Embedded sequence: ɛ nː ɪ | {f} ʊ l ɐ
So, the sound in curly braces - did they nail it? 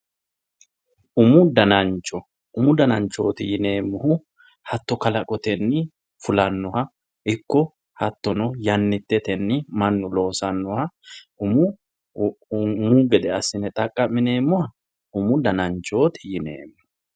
yes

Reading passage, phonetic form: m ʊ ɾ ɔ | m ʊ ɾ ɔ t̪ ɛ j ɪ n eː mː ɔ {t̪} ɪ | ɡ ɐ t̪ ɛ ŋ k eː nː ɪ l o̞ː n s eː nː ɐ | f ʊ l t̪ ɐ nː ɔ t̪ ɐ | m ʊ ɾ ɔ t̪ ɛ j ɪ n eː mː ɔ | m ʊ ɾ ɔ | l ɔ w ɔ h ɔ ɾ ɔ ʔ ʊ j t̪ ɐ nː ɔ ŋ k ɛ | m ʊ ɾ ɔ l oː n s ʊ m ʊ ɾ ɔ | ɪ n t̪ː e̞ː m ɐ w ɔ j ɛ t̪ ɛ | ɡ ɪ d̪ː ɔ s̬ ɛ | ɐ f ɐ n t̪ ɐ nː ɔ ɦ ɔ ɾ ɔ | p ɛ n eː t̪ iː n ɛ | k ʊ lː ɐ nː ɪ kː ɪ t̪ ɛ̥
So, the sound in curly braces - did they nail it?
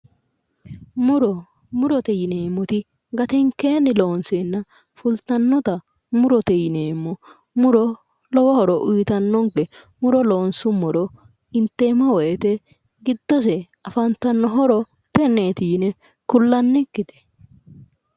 yes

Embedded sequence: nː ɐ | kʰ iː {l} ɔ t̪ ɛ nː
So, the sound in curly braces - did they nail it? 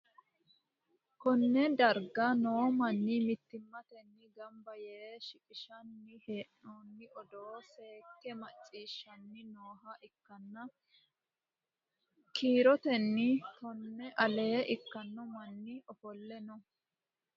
no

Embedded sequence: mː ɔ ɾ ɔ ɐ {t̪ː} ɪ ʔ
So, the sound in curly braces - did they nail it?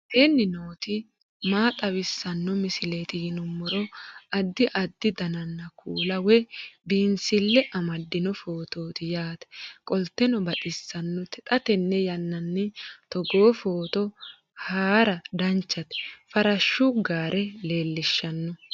no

